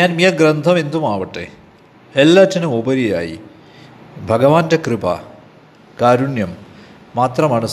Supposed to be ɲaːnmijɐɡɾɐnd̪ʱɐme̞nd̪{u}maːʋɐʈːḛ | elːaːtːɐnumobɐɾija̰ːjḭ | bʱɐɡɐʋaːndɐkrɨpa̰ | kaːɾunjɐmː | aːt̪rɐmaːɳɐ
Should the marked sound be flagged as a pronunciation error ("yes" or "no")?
no